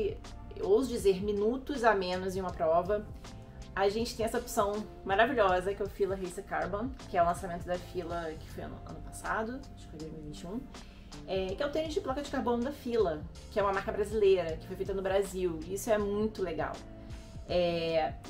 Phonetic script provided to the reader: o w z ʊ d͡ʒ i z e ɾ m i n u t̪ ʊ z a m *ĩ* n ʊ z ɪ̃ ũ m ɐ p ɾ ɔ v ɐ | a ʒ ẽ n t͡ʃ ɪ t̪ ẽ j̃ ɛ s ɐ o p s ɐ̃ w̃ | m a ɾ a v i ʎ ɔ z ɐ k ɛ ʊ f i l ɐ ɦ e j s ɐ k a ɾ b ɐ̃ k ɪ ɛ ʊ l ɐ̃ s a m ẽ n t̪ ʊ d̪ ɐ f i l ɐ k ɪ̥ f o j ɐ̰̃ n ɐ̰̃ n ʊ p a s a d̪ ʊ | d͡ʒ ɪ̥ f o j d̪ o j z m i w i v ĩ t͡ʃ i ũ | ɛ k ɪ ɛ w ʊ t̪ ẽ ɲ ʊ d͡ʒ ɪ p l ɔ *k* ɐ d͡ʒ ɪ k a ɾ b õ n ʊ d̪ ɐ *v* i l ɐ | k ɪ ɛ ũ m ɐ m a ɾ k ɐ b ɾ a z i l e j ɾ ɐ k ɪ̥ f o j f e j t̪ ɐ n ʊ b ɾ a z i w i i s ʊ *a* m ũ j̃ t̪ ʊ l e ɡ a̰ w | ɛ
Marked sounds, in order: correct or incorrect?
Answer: incorrect, correct, incorrect, incorrect

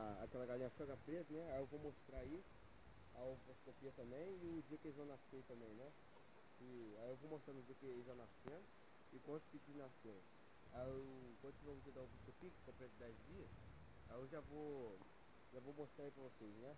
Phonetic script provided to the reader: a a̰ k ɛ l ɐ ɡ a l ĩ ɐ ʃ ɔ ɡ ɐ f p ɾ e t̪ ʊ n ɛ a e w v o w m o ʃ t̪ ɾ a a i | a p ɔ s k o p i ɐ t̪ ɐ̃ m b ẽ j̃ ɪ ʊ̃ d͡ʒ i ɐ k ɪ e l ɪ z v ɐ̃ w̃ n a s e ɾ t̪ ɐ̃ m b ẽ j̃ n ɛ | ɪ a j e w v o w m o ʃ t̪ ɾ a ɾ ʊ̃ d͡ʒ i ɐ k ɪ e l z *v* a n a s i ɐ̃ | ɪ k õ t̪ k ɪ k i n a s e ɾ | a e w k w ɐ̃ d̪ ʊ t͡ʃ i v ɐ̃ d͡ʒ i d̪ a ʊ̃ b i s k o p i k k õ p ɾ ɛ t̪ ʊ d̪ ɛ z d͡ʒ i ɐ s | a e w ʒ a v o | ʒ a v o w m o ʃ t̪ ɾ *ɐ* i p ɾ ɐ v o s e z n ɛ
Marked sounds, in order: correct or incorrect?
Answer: incorrect, incorrect

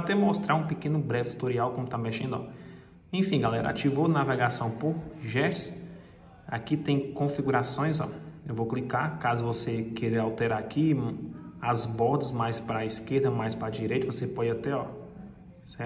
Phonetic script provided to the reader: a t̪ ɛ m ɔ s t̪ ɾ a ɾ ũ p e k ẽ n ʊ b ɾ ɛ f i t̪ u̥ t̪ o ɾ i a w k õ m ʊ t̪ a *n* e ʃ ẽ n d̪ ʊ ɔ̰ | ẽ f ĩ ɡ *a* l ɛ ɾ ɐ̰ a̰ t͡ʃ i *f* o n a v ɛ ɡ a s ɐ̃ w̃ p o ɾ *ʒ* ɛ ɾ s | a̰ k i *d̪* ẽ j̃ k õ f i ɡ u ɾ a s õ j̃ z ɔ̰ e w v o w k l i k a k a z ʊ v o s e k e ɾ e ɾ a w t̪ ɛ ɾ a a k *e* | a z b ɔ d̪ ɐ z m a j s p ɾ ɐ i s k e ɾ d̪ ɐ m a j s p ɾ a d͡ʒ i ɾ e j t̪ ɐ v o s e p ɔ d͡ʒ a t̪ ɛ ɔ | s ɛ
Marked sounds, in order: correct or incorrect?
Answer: incorrect, correct, incorrect, correct, incorrect, incorrect

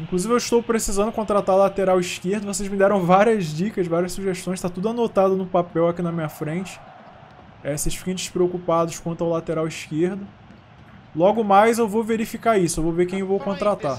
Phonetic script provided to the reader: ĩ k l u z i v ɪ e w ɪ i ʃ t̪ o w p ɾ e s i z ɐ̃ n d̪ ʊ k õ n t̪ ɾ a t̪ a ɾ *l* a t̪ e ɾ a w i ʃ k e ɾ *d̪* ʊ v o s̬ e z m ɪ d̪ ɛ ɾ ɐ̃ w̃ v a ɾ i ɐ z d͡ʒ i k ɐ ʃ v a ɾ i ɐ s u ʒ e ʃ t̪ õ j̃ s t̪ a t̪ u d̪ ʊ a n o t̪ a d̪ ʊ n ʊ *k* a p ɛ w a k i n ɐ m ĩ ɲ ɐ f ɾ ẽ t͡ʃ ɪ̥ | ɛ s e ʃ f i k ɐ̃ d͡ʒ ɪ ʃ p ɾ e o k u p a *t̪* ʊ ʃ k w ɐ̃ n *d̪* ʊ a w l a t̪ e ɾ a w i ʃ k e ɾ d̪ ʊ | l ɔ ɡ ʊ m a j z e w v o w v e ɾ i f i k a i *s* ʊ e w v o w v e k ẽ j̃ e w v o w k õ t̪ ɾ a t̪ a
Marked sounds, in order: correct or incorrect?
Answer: correct, correct, incorrect, incorrect, incorrect, correct

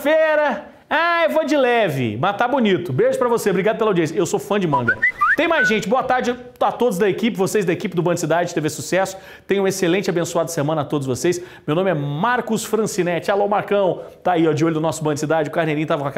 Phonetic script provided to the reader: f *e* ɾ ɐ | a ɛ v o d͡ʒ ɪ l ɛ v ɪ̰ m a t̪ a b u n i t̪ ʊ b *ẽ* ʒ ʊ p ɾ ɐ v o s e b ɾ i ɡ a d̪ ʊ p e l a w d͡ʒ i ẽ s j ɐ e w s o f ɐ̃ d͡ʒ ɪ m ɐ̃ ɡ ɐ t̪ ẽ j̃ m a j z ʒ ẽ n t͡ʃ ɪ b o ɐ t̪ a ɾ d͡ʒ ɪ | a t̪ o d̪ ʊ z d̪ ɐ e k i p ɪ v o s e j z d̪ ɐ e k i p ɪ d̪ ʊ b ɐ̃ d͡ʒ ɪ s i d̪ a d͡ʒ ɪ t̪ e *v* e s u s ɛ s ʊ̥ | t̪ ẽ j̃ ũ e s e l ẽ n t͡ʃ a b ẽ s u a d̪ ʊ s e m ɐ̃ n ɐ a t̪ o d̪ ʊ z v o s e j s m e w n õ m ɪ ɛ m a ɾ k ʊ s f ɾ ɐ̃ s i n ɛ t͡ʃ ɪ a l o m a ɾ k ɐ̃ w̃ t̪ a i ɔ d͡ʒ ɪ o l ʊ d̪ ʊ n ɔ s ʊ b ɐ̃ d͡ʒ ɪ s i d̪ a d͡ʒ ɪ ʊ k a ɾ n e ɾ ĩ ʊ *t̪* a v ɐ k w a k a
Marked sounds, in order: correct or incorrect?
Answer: correct, incorrect, correct, correct

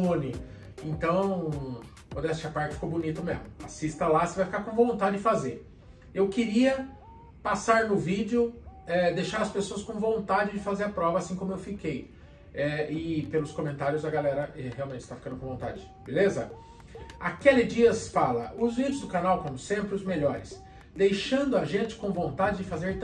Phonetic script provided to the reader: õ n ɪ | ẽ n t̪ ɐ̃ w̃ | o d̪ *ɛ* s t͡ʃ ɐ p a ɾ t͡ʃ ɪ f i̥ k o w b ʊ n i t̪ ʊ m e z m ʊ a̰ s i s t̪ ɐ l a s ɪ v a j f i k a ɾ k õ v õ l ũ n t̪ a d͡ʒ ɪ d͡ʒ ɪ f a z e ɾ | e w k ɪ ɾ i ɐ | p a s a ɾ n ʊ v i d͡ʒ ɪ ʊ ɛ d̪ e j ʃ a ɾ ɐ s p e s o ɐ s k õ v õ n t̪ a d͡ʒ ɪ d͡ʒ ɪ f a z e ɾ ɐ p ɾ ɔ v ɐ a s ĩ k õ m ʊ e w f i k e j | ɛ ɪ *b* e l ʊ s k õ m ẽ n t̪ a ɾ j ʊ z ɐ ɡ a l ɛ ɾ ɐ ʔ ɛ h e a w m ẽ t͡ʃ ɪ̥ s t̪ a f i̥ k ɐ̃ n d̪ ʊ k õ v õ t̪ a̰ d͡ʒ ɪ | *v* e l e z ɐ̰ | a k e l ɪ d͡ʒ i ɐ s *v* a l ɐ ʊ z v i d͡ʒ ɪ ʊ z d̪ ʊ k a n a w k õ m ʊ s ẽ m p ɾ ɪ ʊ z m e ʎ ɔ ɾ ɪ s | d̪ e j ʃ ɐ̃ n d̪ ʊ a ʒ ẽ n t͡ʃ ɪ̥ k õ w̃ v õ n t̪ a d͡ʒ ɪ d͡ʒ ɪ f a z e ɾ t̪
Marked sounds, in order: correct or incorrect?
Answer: correct, incorrect, incorrect, incorrect

